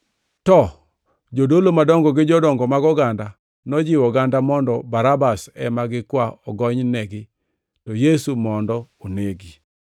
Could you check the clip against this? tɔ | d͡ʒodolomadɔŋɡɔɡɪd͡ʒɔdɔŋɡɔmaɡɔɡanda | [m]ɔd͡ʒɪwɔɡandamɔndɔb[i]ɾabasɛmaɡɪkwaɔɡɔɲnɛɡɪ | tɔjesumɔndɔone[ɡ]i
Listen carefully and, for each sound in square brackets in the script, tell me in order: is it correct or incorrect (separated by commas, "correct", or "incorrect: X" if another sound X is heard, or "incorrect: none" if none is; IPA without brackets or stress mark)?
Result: incorrect: n, incorrect: a, correct